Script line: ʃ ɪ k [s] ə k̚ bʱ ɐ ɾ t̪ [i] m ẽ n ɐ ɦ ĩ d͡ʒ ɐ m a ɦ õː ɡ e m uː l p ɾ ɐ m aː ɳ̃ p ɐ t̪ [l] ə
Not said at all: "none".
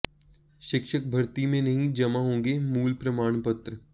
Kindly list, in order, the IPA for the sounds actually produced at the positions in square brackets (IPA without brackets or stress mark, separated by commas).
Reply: ʃ, i, ɾ